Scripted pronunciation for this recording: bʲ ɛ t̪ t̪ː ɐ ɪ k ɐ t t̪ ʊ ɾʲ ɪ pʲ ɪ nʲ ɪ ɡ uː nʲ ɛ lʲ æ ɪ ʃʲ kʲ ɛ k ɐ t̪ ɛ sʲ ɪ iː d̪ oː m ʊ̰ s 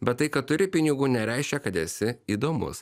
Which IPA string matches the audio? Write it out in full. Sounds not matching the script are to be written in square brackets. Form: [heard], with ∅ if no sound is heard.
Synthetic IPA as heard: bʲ ɛ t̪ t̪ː ɐ ɪ k ɐ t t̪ ʊ ɾʲ ɪ pʲ ɪ nʲ ɪ ɡ uː nʲ ɛ [ɾʲ] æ ɪ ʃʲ kʲ ɛ k ɐ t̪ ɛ sʲ ɪ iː d̪ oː m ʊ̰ s